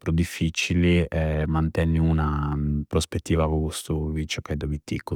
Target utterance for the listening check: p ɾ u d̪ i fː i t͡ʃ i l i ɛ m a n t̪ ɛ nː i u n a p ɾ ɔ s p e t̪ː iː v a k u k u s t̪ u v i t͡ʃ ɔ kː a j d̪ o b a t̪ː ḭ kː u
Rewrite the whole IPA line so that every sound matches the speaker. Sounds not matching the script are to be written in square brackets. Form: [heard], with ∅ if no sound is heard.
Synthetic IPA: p ɾ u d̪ i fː i t͡ʃ i l i ɛ m a n t̪ ɛ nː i u n a p ɾ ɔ s p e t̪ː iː v a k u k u s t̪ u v i t͡ʃ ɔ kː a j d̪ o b [i] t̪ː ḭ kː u